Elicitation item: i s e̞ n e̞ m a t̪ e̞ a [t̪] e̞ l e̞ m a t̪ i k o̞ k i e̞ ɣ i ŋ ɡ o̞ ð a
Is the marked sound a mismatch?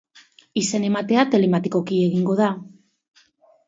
no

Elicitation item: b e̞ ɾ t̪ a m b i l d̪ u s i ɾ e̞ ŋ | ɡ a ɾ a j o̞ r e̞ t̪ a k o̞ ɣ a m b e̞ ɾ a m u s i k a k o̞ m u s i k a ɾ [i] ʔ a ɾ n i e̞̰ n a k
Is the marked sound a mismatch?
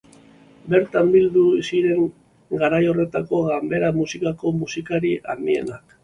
no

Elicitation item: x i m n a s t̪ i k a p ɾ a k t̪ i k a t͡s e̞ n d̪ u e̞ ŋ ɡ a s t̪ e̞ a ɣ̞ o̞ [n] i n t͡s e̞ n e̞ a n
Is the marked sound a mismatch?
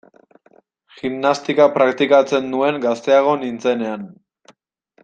no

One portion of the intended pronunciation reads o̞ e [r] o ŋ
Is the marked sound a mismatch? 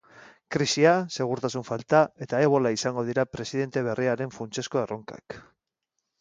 no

